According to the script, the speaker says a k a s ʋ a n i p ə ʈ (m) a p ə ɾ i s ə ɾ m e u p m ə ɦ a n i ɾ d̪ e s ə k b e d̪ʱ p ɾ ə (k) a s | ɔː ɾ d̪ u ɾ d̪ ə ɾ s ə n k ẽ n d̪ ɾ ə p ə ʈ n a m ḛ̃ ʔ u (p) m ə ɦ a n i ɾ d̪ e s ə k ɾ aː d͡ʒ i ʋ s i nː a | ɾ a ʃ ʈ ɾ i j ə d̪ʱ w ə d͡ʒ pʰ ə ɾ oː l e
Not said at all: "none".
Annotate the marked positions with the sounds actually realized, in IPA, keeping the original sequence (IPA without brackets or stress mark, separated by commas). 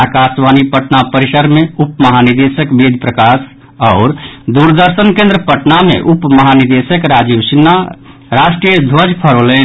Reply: n, k, p